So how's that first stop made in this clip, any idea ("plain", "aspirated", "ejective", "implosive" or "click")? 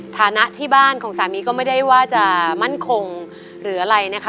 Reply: aspirated